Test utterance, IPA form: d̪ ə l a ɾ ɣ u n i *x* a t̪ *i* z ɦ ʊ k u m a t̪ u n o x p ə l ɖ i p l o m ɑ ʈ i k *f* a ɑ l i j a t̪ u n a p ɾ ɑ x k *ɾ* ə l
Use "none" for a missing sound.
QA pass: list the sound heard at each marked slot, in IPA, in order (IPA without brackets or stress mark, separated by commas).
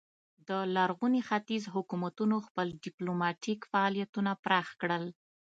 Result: x, i, f, ɽ